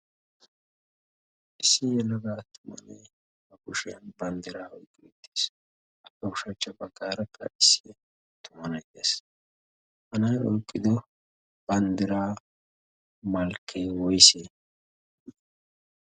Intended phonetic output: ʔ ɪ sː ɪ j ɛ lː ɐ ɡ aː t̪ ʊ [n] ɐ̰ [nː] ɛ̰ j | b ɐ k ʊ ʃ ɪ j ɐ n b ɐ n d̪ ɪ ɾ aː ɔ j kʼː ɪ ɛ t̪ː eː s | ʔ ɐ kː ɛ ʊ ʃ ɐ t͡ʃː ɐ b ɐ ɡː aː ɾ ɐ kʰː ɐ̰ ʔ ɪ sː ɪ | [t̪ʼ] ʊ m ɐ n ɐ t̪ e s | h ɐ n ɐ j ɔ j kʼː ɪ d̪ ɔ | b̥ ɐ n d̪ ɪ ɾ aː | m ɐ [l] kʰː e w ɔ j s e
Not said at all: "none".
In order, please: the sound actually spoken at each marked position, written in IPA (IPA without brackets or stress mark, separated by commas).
m, n, t̪, l